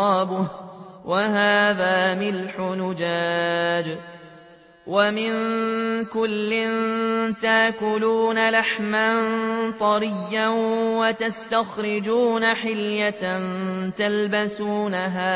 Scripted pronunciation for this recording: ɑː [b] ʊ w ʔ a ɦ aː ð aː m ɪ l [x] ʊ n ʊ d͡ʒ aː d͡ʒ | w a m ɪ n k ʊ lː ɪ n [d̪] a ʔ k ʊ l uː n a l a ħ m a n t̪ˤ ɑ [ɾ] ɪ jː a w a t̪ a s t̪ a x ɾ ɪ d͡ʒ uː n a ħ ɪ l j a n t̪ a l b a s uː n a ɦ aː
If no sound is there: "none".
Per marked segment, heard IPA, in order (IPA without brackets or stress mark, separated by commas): b, ħ, t̪, ɾ